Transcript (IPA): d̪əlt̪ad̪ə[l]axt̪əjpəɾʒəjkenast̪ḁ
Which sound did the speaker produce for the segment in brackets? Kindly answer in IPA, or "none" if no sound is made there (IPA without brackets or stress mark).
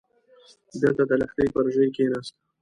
l